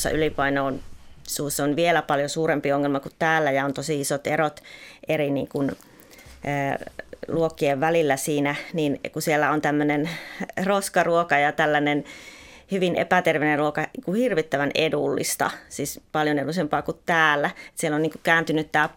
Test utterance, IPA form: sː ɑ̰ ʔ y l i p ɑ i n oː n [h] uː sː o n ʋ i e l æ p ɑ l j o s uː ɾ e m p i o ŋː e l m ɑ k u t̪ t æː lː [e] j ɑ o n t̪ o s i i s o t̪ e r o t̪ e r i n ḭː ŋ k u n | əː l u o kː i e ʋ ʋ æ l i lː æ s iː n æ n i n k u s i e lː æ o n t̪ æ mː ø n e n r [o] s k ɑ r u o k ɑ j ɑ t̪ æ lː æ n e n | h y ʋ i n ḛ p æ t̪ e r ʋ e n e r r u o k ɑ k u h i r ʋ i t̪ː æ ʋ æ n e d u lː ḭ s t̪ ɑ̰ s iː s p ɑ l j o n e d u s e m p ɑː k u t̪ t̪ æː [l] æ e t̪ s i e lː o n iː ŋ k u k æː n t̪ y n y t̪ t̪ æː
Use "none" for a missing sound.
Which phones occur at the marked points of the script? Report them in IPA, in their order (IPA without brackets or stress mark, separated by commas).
s, æ, o, lː